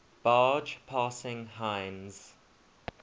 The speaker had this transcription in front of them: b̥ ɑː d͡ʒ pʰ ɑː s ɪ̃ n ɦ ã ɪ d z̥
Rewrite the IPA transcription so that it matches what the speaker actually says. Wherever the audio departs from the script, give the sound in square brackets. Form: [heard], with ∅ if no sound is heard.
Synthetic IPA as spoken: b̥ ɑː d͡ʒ pʰ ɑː s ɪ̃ [ŋ] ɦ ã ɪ [n] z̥